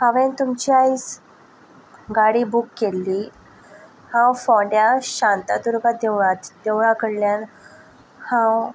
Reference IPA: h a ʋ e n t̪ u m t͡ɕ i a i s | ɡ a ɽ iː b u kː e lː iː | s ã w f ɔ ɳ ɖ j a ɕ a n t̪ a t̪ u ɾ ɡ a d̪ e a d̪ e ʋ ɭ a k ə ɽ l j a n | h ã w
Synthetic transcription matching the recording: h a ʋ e n t̪ u m t͡ɕ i a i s | ɡ a ɽ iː b u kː e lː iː | h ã w f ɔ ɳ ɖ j a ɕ a n t̪ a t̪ u ɾ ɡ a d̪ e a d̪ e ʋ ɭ a k ə ɽ l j a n | h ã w